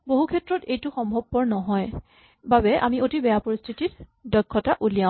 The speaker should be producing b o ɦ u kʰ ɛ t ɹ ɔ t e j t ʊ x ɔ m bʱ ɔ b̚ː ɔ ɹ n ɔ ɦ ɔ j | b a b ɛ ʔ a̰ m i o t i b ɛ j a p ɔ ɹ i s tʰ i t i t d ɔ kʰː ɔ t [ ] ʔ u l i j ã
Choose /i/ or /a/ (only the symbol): a